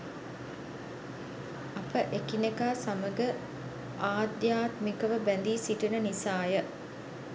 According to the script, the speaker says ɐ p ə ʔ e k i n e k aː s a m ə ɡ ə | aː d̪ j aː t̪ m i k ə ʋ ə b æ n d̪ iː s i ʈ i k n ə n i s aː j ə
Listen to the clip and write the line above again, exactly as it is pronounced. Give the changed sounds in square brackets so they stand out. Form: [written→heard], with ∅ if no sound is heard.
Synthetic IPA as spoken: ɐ p ə ʔ e k i n e k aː s a m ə ɡ ə | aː d̪ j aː t̪ m i k ə ʋ ə b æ n d̪ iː s i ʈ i [k→∅] n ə n i s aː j ə